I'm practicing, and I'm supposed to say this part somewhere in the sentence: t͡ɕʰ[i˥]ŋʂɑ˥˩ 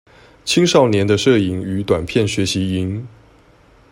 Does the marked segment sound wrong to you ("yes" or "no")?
no